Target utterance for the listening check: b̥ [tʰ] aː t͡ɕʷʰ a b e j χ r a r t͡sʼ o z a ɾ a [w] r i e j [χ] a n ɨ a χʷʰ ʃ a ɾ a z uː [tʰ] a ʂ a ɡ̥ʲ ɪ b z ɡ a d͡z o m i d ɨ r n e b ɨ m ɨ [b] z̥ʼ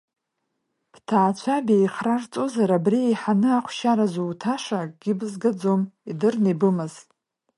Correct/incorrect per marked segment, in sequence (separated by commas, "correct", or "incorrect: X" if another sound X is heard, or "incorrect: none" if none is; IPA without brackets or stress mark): correct, incorrect: b, incorrect: ħ, correct, incorrect: none